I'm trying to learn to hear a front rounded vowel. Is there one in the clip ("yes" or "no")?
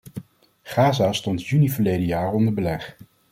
yes